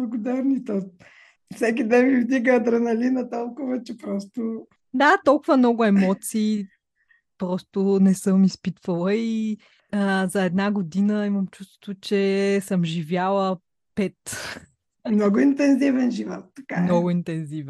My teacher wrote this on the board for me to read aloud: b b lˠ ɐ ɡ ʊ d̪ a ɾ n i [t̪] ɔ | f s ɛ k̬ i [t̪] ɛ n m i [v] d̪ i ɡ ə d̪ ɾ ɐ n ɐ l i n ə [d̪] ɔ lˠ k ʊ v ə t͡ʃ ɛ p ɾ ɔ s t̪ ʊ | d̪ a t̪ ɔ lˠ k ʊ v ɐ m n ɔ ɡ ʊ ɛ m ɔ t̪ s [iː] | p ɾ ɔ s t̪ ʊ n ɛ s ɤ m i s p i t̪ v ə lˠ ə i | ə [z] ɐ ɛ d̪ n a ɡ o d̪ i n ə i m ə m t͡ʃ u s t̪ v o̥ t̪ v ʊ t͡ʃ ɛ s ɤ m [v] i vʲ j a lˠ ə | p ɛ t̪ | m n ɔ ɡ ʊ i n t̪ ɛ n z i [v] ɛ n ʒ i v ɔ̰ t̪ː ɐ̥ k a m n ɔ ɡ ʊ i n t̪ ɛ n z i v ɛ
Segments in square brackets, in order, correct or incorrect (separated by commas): correct, incorrect, correct, incorrect, correct, correct, incorrect, correct